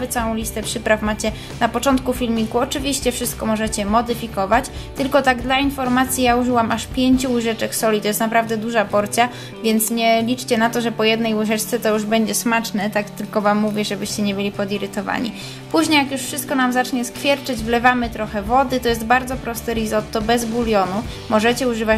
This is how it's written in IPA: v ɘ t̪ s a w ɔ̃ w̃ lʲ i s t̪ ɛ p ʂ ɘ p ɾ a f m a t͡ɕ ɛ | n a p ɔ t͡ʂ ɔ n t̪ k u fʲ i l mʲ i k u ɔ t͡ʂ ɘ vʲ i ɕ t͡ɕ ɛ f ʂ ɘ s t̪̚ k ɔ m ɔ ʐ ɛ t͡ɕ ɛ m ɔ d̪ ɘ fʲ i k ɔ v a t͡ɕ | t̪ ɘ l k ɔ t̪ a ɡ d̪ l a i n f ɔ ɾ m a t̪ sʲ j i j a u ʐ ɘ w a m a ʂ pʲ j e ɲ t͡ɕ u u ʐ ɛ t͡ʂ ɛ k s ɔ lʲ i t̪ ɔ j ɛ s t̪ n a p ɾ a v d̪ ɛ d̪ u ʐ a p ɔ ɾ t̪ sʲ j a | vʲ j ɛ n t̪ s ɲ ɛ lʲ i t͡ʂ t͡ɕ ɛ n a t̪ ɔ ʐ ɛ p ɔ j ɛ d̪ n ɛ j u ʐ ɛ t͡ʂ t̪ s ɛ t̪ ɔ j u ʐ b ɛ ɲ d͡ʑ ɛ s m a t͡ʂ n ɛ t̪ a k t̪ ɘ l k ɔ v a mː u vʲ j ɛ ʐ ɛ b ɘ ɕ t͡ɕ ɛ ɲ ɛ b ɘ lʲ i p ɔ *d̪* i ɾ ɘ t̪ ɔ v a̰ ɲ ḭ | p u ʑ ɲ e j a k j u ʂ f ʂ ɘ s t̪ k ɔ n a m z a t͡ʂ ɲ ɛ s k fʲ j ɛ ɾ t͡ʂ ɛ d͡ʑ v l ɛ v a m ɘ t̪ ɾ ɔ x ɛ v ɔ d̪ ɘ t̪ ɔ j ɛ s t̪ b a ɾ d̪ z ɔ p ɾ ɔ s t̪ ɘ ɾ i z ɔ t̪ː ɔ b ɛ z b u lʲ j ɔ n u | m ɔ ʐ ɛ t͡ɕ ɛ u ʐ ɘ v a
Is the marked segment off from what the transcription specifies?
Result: no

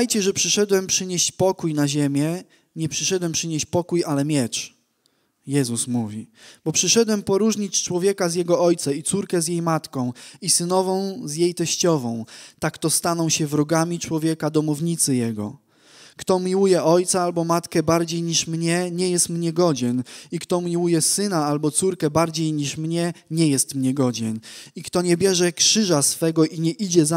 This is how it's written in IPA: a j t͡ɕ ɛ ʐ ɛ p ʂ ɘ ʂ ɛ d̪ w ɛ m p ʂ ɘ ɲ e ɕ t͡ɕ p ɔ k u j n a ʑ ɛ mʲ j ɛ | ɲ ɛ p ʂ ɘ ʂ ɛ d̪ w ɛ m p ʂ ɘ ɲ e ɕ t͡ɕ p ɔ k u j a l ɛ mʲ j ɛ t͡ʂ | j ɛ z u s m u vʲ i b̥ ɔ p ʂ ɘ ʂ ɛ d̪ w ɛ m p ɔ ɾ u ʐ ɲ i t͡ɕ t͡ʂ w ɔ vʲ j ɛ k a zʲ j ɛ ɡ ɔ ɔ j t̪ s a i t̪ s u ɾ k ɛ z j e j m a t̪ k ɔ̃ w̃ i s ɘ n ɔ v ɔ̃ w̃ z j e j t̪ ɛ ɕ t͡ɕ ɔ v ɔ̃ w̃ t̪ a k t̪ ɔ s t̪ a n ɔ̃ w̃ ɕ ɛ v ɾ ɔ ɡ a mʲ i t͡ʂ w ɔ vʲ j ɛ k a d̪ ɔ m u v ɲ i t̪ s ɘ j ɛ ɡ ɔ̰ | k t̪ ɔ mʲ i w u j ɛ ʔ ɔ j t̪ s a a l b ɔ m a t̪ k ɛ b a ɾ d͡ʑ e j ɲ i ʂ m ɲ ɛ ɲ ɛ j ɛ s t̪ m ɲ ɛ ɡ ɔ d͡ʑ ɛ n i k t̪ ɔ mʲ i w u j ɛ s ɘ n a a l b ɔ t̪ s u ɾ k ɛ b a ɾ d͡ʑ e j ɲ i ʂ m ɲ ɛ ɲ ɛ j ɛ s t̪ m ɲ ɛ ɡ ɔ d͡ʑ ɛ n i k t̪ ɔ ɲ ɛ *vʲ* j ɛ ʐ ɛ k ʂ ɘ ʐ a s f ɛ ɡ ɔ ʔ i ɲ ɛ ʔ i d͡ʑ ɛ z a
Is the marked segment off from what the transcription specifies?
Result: yes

